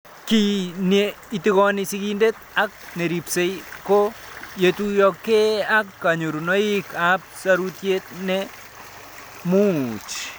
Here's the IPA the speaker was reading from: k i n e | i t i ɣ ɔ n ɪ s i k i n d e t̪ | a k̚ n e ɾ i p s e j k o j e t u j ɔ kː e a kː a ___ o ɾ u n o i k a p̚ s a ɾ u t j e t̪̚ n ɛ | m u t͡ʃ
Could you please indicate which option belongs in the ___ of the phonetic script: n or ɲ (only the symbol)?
ɲ